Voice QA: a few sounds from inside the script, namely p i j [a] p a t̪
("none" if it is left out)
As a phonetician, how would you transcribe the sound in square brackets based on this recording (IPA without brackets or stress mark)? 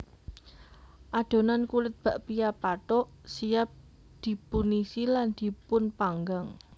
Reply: a